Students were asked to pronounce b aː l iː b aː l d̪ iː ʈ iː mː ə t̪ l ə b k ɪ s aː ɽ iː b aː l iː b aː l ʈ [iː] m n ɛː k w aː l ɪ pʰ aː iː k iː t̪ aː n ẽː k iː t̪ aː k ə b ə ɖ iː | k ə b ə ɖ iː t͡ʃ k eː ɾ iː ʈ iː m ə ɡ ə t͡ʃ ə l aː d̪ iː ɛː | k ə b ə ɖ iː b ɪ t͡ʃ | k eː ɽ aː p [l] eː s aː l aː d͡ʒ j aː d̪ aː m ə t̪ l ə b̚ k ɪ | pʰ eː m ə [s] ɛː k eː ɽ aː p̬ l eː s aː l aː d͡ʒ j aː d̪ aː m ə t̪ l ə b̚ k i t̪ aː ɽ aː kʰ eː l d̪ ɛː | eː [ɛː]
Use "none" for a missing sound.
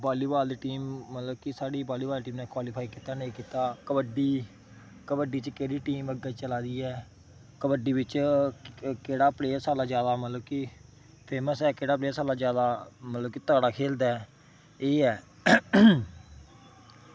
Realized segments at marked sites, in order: iː, l, s, ɛː

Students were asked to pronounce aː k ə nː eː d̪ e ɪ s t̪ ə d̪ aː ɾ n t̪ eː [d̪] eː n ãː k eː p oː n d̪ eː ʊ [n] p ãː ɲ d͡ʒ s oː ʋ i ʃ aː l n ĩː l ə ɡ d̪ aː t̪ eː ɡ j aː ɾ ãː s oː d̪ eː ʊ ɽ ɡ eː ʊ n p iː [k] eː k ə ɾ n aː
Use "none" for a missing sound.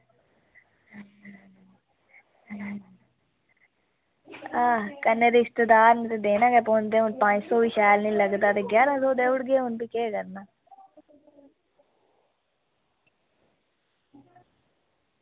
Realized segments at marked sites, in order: d̪, n, k

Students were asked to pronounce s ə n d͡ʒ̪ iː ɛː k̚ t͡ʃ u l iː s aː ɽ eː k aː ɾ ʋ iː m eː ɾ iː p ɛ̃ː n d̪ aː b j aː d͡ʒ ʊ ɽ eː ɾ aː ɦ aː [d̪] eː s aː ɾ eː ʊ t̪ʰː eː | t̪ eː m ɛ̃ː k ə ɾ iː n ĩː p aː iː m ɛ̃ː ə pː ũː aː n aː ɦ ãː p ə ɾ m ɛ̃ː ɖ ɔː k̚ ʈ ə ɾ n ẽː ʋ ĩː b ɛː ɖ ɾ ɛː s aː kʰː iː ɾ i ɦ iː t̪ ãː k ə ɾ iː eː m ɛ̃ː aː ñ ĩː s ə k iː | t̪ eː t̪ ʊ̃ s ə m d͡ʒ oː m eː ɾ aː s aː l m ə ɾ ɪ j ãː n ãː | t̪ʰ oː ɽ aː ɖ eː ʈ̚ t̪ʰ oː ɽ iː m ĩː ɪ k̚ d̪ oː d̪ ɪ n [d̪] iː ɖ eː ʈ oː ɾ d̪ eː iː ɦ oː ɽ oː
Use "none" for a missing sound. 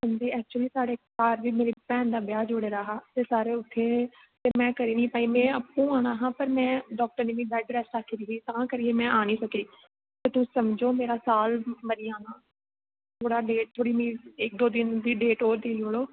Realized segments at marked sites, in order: t̪, d̪

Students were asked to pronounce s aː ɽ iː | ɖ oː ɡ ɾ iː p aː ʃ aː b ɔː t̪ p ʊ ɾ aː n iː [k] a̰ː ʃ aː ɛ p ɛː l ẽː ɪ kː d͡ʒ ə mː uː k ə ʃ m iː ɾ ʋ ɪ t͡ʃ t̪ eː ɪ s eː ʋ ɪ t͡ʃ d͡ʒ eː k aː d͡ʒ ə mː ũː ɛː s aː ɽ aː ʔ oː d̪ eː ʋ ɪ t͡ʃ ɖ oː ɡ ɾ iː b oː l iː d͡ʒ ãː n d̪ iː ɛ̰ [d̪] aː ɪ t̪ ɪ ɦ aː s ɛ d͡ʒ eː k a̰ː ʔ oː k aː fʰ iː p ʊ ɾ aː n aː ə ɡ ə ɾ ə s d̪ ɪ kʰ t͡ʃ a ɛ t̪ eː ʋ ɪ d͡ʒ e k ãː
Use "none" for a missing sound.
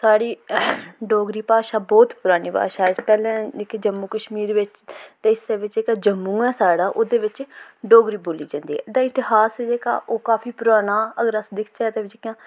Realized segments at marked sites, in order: p, d̪

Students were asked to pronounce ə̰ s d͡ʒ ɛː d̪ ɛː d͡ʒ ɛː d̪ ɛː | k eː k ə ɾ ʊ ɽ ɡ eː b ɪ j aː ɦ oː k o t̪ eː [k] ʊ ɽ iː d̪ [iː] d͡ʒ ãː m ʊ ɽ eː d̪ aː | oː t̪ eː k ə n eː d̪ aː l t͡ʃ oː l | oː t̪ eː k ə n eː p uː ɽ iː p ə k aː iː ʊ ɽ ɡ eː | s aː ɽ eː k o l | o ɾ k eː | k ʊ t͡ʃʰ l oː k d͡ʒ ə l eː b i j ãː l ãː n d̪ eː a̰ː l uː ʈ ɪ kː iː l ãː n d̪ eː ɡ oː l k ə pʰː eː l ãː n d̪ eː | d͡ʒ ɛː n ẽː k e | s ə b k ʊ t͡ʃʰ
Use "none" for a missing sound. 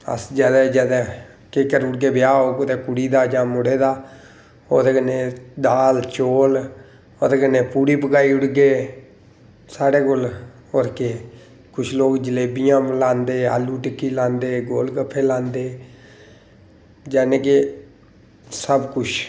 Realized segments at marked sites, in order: k, aː

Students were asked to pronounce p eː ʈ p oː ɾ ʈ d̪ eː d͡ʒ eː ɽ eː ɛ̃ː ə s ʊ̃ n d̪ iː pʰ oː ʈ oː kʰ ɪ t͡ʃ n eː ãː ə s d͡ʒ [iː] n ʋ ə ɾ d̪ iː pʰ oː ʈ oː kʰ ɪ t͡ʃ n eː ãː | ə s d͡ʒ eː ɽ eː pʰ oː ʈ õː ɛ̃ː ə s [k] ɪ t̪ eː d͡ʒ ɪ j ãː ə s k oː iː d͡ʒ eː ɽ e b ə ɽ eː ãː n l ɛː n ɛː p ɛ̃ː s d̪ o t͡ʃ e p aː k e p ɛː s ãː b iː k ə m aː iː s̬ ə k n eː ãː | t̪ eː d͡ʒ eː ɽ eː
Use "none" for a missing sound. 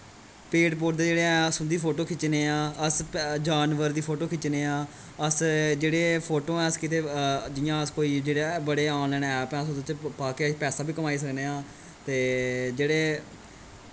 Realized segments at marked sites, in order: aː, k

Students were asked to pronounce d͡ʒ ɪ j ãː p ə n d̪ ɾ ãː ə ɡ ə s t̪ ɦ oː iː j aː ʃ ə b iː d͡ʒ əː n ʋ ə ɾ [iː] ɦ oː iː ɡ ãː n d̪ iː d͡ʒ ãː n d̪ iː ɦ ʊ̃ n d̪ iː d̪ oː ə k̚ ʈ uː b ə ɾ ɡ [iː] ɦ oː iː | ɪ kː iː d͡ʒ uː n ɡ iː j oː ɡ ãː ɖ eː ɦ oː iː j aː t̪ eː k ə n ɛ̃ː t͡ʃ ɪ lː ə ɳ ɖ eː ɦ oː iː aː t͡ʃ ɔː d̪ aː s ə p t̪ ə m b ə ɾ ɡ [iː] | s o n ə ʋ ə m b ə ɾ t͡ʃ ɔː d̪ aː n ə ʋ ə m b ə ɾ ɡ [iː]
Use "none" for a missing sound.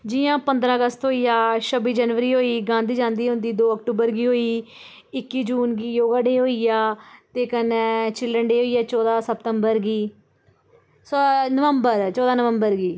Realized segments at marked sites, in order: iː, iː, iː, iː

